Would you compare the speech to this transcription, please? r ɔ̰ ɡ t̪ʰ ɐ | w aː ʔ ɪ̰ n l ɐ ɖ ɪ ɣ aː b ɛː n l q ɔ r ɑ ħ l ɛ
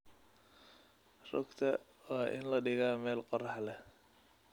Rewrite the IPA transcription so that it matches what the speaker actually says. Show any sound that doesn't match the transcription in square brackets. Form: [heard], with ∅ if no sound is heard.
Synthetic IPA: r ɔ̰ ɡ t̪ʰ ɐ | w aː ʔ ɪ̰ n l ɐ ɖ ɪ ɣ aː [m] ɛː [∅] l q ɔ r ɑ ħ l ɛ

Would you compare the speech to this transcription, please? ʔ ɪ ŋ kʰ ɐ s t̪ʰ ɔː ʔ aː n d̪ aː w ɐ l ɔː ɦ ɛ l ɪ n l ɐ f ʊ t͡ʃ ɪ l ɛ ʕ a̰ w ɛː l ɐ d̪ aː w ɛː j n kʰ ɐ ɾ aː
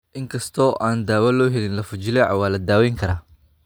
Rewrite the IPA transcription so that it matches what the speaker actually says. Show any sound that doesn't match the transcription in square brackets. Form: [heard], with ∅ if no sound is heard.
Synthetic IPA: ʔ ɪ ŋ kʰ ɐ s t̪ʰ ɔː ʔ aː n d̪ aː w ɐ l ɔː ɦ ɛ l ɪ n l ɐ f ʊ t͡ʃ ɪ l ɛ ʕ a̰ w [aː] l ɐ d̪ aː w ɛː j [ŋ] kʰ ɐ ɾ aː

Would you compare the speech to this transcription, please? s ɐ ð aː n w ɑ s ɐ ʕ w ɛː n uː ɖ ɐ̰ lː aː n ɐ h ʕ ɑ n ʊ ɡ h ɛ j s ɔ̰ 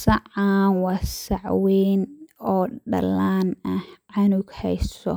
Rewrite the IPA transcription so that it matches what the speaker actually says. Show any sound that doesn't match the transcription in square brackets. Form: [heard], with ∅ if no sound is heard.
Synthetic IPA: s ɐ [ʕ] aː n w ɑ s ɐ ʕ w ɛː n [ɔː] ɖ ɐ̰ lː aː n ɐ h ʕ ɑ n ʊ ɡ h ɛ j s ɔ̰

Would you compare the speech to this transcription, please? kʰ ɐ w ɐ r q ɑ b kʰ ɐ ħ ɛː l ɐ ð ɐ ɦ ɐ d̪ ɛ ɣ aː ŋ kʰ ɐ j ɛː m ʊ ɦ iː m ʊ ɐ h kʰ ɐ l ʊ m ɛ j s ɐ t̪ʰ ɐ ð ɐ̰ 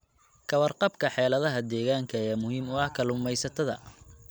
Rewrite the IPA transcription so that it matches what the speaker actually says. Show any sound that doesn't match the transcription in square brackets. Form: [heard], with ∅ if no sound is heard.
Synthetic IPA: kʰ ɐ w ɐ r q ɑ b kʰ ɐ ħ ɛː l ɐ ð ɐ ɦ ɐ d̪ [ɛː] ɣ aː ŋ kʰ ɐ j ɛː m ʊ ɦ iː m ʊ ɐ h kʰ ɐ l ʊ m ɛ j s ɐ t̪ʰ ɐ ð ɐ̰

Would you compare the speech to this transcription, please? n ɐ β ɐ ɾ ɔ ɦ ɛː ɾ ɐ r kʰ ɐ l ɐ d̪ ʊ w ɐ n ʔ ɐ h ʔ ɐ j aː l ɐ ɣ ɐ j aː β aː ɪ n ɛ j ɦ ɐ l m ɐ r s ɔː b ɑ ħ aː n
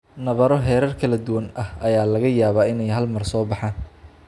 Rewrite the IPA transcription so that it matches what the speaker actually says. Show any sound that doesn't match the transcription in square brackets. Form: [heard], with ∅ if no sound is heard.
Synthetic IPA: n ɐ β ɐ ɾ ɔ ɦ ɛː ɾ ɐ r kʰ ɐ l ɐ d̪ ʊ w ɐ n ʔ ɐ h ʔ ɐ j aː l ɐ ɣ ɐ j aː β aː ɪ n ɛ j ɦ ɐ l m ɐ r s ɔː b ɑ ħ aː n

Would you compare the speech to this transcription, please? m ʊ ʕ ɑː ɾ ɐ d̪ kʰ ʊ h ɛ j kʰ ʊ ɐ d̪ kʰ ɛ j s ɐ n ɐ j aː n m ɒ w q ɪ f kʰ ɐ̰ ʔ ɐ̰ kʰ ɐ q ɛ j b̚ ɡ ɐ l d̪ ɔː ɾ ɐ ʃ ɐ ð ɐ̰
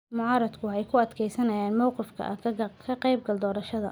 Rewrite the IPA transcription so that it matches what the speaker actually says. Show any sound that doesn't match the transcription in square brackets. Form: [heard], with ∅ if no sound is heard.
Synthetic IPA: m ʊ ʕ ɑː ɾ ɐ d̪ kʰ ʊ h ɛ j kʰ ʊ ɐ d̪ kʰ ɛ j s ɐ n ɐ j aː n m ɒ w q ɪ f kʰ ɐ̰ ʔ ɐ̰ kʰ ɐ q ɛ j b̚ ɡ ɐ l d̪ ɔː ɾ ɐ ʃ ɐ ð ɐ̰

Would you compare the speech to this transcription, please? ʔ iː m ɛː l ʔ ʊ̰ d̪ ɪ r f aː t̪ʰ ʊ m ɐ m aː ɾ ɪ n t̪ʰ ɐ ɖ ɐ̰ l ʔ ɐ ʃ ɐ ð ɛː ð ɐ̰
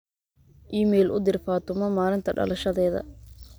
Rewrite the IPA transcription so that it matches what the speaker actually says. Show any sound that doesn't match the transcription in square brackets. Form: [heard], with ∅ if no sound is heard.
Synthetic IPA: ʔ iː m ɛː l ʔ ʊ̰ d̪ ɪ r f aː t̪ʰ ʊ m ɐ m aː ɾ ɪ n t̪ʰ ɐ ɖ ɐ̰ l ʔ ɐ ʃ ɐ ð ɛː ð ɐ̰

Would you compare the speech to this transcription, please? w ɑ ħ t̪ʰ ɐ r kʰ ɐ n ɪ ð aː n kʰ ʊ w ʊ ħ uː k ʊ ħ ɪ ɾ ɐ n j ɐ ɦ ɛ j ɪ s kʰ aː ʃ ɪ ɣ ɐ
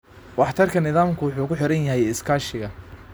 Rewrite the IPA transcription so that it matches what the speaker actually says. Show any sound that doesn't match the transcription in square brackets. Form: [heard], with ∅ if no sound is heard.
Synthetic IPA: w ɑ ħ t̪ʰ ɐ r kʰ ɐ n ɪ ð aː [m] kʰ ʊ w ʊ ħ uː k ʊ ħ ɪ ɾ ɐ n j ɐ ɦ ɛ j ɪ s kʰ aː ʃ ɪ ɣ ɐ

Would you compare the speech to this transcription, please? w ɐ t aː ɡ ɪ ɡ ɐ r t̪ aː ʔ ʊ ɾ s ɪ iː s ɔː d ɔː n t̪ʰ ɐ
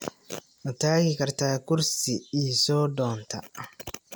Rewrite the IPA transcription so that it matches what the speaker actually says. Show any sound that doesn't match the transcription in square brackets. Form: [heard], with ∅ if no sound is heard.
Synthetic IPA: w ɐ t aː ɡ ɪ [k] ɐ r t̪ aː [k] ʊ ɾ s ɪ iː s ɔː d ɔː n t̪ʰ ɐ

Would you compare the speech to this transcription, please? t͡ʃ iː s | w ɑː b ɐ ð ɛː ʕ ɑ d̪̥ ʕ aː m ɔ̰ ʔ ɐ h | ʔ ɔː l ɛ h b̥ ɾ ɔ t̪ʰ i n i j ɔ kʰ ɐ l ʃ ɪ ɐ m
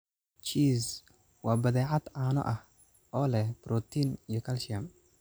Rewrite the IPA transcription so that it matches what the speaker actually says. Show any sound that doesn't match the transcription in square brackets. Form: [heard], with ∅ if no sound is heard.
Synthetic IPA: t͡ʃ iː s | w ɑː b ɐ ð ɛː ʕ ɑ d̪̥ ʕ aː [n] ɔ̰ ʔ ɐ h | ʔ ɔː l ɛ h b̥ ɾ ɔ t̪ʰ i n i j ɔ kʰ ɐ l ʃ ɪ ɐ m

